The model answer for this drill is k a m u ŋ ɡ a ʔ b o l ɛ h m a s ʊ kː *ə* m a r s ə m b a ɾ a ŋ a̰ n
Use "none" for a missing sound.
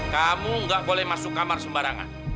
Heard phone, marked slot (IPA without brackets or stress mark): a